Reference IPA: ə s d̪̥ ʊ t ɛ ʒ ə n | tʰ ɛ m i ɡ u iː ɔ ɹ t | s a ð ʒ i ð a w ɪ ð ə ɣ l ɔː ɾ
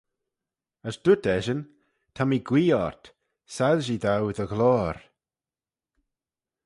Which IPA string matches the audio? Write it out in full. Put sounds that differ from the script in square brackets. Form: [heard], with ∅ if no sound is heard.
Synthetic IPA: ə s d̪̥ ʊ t ɛ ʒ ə n | tʰ [a] m i ɡ [w] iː ɔ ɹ t | s a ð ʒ i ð a w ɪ ð ə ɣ l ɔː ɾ